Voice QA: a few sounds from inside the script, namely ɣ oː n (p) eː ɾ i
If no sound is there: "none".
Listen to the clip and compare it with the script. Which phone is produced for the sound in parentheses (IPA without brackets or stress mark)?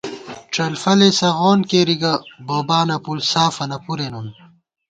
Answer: k